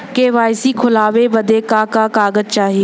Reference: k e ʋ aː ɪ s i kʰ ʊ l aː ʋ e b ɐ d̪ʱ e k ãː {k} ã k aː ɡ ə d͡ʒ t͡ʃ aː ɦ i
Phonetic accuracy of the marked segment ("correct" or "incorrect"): correct